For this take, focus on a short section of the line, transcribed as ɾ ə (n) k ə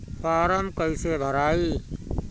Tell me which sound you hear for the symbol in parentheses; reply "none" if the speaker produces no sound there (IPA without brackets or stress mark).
m